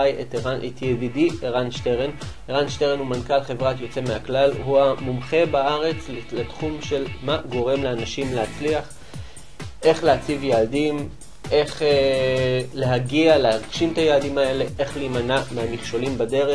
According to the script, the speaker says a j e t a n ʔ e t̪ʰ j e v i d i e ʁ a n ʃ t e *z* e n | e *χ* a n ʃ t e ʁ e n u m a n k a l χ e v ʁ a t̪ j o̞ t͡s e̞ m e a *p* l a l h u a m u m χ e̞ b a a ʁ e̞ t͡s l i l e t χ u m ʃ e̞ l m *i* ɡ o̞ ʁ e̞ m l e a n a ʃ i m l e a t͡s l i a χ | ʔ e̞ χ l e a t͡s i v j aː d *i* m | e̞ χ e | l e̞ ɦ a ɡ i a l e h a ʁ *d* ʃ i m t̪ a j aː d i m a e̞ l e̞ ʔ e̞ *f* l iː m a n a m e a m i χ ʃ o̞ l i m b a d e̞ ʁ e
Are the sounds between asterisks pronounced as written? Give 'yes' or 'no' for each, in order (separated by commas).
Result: no, no, no, no, yes, no, no